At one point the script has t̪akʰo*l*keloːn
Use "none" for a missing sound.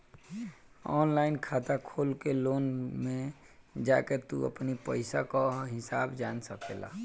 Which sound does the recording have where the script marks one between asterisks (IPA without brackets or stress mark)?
l